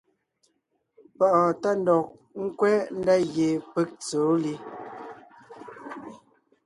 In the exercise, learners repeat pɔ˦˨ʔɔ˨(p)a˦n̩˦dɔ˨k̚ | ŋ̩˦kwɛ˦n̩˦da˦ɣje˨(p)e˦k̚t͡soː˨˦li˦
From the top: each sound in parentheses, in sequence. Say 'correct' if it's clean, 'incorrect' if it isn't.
incorrect, correct

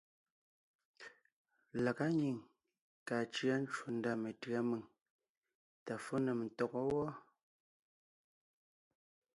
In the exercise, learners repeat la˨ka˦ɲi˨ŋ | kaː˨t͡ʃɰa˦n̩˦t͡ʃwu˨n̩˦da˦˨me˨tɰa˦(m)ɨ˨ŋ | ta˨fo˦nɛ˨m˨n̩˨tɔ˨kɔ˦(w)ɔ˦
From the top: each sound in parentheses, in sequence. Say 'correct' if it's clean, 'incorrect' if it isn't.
correct, correct

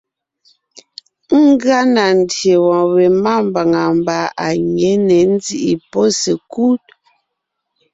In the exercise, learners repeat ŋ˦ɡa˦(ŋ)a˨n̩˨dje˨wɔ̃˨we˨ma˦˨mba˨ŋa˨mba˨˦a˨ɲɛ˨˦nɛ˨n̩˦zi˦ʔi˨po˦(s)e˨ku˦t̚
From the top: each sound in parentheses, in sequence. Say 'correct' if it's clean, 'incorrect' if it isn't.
incorrect, correct

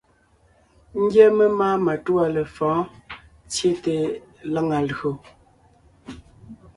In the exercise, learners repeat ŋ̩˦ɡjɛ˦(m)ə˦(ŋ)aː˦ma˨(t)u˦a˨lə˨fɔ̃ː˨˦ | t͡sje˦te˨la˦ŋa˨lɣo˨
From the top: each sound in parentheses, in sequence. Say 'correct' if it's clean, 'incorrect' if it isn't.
correct, incorrect, correct

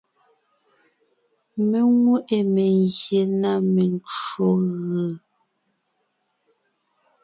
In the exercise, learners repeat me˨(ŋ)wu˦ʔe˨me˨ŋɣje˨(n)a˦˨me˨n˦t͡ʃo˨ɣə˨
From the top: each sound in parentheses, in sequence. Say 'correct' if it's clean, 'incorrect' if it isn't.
correct, correct

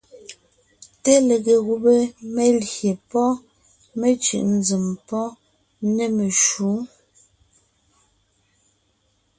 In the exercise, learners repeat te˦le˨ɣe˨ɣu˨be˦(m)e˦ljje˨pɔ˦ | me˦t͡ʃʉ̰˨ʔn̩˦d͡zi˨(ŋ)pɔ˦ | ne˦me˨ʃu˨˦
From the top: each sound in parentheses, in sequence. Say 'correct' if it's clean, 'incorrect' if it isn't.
correct, incorrect

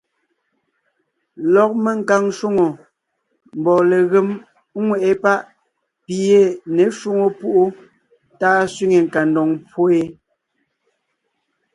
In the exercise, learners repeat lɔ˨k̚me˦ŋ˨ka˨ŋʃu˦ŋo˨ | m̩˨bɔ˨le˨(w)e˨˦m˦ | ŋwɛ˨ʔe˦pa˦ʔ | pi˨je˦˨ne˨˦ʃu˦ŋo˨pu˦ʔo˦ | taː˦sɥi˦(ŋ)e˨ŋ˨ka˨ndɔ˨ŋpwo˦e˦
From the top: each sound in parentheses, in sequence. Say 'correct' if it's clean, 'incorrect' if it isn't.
incorrect, correct

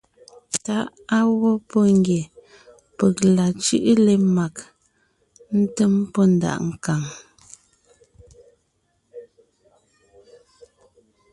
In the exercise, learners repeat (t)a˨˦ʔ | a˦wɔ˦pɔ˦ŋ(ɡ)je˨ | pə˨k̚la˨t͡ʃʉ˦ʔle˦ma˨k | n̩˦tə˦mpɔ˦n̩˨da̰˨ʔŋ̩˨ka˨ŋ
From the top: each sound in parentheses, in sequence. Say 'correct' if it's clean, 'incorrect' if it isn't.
correct, correct

